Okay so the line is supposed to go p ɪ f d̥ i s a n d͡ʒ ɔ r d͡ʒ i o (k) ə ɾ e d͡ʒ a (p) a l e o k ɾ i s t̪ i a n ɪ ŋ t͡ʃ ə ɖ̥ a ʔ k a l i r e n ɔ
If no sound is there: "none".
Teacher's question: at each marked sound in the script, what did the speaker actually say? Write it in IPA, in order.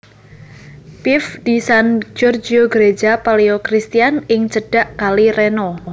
ɡ, p

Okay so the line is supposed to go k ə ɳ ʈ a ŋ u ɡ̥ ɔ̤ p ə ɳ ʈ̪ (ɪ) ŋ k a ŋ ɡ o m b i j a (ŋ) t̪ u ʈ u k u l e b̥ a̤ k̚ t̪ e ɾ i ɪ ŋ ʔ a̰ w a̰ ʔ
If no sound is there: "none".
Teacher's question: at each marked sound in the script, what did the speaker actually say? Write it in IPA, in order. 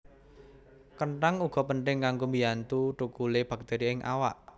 ɪ, n

